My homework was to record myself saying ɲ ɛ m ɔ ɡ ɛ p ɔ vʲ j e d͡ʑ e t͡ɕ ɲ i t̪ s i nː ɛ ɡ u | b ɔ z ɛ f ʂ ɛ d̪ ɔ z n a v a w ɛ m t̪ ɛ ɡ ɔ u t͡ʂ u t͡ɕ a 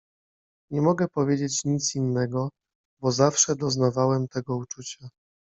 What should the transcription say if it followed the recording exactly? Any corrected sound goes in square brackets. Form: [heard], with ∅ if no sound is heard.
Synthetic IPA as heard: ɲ ɛ m ɔ ɡ ɛ p ɔ vʲ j e d͡ʑ e t͡ɕ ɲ i t̪ s i nː ɛ ɡ [ɔ] | b ɔ z [a] f ʂ ɛ d̪ ɔ z n a v a w ɛ m t̪ ɛ ɡ ɔ u t͡ʂ u t͡ɕ a